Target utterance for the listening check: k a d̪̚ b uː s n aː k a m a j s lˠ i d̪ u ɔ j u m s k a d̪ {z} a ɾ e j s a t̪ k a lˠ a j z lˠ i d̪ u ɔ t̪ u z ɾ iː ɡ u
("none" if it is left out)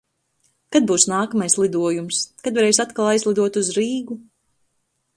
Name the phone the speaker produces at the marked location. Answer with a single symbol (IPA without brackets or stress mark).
v